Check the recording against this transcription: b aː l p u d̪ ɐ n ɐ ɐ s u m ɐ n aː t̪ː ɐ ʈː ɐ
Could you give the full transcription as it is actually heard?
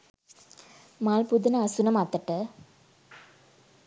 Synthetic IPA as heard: m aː l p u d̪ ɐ n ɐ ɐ s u n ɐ m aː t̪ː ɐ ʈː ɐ